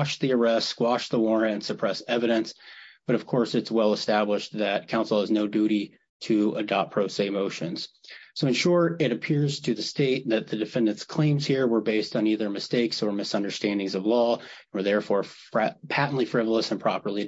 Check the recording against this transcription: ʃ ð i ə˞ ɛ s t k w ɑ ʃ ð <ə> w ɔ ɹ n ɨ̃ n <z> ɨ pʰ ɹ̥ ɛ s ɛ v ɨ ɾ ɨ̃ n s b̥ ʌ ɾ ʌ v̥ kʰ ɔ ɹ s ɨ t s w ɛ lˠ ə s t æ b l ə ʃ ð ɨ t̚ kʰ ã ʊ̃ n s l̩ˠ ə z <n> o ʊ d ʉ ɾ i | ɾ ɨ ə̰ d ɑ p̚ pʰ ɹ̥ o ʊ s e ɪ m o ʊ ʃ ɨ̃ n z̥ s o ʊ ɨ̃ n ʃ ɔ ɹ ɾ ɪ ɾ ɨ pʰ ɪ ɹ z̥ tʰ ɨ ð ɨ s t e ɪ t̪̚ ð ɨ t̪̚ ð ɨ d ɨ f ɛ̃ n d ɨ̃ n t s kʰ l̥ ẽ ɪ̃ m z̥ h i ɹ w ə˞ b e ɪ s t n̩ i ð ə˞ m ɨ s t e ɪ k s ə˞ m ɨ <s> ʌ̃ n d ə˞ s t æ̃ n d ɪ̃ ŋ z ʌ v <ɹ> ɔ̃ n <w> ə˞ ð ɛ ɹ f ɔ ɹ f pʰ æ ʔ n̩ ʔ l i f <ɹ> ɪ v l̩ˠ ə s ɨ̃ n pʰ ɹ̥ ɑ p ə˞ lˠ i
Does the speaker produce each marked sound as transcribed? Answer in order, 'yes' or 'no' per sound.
yes, no, yes, yes, no, yes, yes

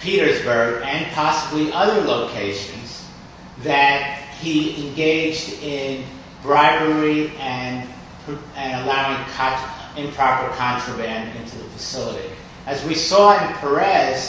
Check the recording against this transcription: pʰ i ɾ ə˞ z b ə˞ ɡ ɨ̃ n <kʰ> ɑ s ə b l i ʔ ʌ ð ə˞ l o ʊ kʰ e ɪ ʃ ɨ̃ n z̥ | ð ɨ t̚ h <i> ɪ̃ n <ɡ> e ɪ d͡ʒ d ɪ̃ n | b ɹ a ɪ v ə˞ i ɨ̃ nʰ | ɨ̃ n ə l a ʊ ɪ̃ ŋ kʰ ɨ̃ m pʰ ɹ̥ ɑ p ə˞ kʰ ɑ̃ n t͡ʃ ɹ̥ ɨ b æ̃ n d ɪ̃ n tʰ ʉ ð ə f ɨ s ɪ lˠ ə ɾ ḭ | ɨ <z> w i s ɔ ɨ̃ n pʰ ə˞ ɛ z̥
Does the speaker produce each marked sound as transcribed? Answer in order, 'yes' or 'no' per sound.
no, yes, yes, yes

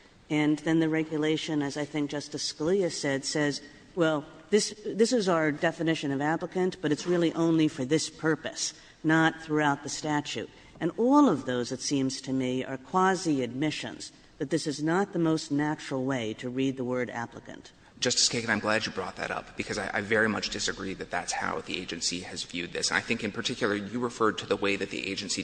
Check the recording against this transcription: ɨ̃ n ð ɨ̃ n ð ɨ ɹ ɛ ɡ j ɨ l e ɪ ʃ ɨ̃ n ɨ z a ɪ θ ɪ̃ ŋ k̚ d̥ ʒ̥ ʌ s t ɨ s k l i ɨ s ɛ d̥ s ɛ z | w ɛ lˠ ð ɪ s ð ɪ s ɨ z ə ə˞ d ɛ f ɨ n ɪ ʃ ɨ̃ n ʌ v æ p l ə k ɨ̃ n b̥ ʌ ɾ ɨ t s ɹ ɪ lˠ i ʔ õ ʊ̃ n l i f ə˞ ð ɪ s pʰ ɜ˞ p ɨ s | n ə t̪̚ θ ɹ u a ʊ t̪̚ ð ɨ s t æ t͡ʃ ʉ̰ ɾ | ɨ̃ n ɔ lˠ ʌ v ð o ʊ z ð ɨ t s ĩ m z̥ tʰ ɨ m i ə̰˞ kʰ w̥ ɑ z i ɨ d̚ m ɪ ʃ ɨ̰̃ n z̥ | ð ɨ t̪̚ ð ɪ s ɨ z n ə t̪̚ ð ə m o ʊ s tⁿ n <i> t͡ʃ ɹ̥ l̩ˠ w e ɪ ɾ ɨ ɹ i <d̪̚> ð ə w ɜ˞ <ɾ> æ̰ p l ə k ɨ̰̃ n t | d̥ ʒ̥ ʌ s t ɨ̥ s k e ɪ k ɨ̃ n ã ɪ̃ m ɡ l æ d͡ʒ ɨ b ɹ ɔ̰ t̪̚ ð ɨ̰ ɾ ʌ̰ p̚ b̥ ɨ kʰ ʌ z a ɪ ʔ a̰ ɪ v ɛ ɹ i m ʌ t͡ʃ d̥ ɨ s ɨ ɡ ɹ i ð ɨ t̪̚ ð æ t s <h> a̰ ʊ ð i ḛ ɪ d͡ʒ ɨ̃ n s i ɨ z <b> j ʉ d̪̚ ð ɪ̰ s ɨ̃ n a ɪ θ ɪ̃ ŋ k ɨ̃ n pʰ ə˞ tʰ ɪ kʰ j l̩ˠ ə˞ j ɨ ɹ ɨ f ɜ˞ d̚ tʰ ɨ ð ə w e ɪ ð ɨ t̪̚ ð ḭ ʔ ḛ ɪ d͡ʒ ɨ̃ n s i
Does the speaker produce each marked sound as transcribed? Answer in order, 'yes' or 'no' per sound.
no, yes, yes, yes, no

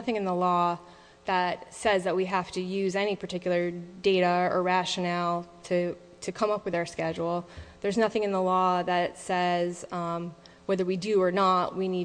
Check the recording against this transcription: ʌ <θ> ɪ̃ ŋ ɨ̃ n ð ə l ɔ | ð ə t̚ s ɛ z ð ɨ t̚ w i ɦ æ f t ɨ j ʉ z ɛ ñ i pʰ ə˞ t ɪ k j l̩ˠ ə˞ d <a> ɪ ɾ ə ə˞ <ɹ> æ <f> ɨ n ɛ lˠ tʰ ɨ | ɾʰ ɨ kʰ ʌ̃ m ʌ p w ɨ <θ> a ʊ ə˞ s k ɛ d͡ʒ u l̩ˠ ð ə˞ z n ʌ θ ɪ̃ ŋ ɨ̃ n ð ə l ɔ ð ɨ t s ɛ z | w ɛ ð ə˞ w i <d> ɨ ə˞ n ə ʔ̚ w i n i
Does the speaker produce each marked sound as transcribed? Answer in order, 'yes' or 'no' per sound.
yes, no, yes, no, no, yes

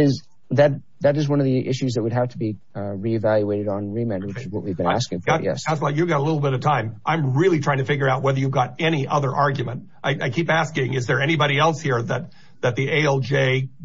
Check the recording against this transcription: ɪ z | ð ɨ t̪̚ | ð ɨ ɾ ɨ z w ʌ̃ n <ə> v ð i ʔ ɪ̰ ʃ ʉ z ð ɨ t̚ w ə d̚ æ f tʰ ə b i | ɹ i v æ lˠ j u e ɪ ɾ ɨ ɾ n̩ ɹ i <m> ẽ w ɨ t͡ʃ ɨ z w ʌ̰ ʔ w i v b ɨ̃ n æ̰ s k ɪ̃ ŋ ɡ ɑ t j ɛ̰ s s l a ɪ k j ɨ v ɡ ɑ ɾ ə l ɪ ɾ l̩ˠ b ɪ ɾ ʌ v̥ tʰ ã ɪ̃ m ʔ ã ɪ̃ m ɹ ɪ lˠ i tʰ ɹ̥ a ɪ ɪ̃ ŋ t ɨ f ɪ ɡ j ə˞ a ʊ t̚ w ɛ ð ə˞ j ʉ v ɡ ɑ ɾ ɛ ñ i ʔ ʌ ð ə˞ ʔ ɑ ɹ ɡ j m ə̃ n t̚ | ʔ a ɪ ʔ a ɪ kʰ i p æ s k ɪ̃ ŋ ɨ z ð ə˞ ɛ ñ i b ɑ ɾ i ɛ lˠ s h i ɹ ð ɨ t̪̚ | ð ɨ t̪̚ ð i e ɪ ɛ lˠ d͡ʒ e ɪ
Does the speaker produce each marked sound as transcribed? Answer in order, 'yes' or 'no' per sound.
no, yes

